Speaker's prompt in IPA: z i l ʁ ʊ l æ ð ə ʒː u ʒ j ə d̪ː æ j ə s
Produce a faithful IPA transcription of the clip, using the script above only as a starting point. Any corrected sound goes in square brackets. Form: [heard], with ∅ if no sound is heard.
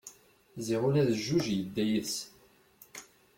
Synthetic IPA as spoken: z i [∅] ʁ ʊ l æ ð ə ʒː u ʒ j ə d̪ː æ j ə s